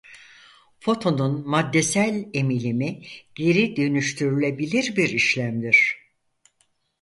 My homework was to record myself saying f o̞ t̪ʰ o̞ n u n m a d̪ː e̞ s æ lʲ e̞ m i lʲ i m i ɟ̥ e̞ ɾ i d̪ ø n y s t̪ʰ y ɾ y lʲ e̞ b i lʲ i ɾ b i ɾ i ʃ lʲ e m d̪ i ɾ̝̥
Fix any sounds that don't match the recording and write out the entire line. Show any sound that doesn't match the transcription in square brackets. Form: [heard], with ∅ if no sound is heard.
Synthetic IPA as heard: f o̞ t̪ʰ o̞ n u n m a d̪ː e̞ s æ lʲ e̞ m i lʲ i m i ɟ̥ e̞ ɾ i d̪ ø n y [ʃ] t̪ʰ y ɾ y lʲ e̞ b i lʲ i ɾ b i ɾ i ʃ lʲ [æ] m d̪ i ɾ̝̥